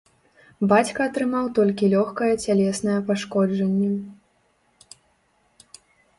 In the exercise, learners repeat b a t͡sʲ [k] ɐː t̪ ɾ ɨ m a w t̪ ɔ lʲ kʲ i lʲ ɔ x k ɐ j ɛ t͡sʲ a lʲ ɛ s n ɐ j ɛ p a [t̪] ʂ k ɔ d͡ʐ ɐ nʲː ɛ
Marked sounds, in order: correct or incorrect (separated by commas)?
correct, incorrect